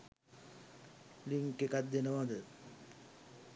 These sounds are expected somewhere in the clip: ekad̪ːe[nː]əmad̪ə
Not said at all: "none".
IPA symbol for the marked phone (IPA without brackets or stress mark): n